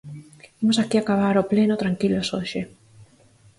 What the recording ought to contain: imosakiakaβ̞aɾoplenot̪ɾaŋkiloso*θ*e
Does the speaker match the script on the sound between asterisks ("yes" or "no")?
no